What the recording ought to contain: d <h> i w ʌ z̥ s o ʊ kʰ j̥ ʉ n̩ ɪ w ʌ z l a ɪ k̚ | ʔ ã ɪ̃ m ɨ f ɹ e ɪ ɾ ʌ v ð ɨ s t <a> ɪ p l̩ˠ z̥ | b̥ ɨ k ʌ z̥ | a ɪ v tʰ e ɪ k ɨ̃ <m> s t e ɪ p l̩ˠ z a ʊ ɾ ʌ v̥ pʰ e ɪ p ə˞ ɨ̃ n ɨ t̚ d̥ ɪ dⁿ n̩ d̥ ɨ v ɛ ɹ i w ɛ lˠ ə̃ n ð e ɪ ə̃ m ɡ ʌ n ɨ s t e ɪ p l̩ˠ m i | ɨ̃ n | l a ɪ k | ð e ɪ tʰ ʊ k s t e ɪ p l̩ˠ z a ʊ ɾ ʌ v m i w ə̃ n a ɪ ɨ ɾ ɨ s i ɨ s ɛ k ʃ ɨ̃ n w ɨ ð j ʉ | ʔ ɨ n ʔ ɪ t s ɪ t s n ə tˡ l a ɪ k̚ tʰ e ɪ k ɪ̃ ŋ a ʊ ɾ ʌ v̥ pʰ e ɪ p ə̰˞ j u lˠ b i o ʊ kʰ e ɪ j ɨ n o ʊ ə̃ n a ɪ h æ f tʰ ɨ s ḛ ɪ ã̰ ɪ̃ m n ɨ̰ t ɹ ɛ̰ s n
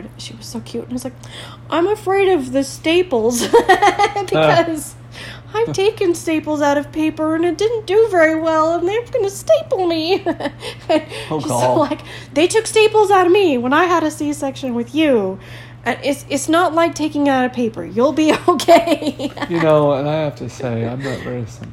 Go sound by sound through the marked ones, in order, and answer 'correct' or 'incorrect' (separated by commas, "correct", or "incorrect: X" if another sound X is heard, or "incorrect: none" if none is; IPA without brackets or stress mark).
incorrect: ʃ, incorrect: e, incorrect: n